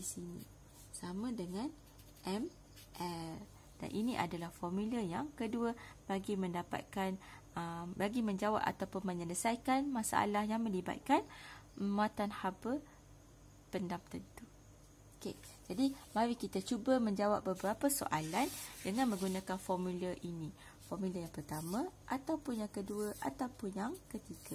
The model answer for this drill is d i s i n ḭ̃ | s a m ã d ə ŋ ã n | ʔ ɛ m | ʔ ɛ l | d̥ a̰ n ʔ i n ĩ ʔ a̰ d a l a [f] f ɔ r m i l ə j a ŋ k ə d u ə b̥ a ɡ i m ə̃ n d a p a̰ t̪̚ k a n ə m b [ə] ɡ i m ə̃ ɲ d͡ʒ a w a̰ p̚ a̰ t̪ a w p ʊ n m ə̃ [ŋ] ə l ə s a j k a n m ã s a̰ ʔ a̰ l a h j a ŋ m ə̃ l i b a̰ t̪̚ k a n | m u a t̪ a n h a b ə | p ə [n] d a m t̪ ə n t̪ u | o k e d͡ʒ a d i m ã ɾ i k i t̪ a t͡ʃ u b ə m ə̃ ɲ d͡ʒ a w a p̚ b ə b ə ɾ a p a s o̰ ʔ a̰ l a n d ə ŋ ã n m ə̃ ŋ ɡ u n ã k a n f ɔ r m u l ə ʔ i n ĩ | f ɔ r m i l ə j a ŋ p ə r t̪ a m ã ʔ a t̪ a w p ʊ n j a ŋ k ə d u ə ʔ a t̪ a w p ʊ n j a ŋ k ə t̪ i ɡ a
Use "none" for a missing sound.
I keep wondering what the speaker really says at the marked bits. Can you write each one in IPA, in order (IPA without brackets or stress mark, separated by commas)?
h, a, ɲ, n